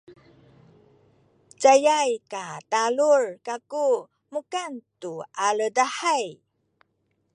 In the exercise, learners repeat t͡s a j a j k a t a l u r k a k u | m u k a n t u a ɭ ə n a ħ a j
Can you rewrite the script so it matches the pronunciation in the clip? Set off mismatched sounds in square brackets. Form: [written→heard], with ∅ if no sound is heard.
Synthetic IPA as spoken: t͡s a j a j k a t a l u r k a k u | m u k a n t u a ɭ ə [n→d] a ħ a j